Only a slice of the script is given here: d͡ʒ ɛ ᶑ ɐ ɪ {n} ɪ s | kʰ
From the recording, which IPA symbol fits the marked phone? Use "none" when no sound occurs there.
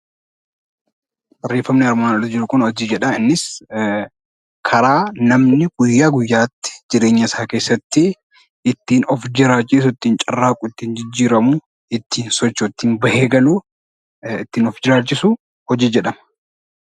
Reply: nː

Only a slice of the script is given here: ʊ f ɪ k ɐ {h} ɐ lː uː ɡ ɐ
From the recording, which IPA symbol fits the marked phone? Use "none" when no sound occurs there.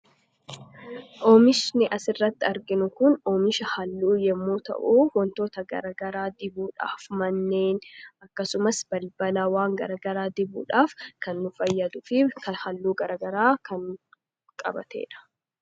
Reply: h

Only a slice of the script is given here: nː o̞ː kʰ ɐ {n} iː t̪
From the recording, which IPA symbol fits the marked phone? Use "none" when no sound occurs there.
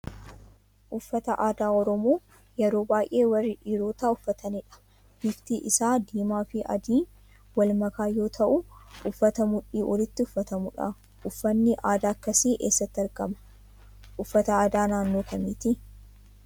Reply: m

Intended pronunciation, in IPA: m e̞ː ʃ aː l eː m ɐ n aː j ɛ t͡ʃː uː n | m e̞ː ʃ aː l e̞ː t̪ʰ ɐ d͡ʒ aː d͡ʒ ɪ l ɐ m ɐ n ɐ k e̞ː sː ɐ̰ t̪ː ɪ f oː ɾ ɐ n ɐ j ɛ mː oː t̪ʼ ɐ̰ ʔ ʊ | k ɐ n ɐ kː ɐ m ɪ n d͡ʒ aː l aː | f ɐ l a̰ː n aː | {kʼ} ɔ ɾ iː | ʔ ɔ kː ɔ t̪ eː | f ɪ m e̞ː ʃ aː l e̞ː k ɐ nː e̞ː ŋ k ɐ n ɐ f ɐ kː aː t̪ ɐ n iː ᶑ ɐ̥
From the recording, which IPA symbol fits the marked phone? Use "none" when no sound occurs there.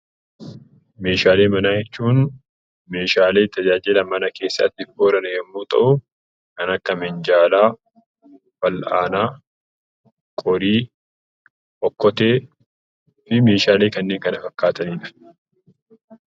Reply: kʼ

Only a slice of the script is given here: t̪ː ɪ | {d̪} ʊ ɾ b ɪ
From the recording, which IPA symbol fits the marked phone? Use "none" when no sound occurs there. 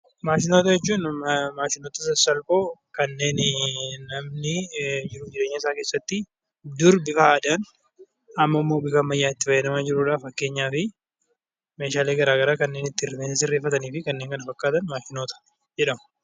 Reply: d̪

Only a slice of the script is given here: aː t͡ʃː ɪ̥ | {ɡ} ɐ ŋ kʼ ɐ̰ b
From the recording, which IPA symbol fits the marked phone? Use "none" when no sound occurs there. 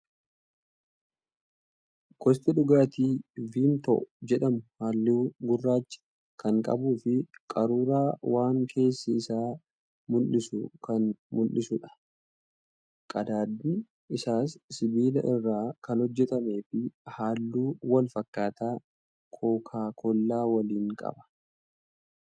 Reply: k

